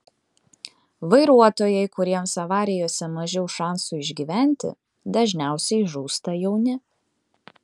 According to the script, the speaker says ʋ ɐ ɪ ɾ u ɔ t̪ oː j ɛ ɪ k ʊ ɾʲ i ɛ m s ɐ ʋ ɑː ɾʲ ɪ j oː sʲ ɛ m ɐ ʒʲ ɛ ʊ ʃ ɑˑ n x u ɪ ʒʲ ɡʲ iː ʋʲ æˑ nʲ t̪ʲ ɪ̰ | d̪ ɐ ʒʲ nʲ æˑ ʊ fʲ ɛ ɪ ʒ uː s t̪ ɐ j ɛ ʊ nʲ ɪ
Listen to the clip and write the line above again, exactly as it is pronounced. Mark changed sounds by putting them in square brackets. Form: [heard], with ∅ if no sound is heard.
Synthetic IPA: ʋ ɐ ɪ ɾ u ɔ t̪ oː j ɛ ɪ k ʊ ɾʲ i ɛ m s ɐ ʋ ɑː ɾʲ ɪ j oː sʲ ɛ m ɐ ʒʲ ɛ ʊ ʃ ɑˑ n [s] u ɪ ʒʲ ɡʲ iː ʋʲ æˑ nʲ t̪ʲ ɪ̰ | d̪ ɐ ʒʲ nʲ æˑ ʊ [sʲ] ɛ ɪ ʒ uː s t̪ ɐ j ɛ ʊ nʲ ɪ